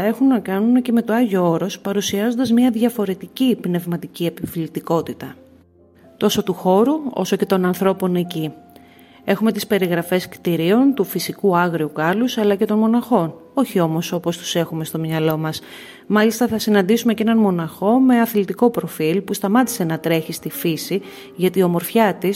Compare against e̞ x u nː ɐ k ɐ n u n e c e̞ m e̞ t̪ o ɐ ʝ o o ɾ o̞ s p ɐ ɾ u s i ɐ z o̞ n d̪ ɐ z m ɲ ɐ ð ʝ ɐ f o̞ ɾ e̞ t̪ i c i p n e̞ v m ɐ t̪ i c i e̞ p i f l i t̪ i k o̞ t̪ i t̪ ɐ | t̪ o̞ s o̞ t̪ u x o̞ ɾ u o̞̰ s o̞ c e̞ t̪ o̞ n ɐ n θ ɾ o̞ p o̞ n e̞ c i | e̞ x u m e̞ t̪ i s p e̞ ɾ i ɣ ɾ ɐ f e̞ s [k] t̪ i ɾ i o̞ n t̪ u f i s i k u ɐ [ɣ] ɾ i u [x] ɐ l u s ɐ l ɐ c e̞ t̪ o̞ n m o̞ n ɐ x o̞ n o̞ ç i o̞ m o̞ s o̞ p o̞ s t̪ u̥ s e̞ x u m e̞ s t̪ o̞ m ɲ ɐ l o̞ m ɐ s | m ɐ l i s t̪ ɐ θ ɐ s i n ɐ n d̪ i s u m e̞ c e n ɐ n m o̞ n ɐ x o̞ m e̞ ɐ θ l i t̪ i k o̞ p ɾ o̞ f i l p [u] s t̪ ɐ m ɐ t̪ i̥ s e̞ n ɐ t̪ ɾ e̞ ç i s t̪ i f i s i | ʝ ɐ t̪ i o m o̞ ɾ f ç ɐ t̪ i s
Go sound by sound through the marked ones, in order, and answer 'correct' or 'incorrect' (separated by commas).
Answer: correct, correct, incorrect, correct